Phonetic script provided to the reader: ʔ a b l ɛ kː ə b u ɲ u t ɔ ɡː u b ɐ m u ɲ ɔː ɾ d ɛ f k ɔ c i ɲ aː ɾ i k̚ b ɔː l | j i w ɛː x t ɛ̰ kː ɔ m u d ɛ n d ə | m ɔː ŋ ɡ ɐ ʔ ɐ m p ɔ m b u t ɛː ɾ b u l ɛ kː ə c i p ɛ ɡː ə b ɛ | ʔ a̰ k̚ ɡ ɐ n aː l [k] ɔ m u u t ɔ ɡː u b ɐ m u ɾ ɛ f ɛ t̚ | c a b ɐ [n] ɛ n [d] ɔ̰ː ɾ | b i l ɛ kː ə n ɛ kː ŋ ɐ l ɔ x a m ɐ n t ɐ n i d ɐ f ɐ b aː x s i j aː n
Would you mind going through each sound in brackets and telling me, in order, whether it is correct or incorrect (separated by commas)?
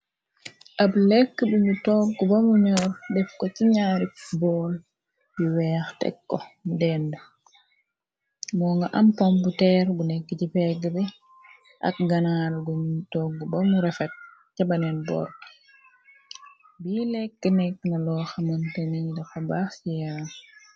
incorrect, correct, incorrect